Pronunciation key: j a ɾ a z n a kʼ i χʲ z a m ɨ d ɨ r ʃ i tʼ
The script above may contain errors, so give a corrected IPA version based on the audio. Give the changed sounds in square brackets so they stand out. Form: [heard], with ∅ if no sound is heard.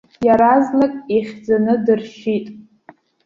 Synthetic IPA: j a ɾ a z n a kʼ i χʲ [d͡z] a [n] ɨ d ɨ r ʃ i tʼ